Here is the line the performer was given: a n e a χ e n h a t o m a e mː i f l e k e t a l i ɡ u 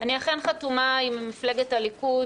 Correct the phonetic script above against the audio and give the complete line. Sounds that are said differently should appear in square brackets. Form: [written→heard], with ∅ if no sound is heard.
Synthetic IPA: a n [e→i] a χ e n [h→χ] a t [o→u] m a [e→i] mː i f l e [k→ɡ] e t a l i [ɡ→k] u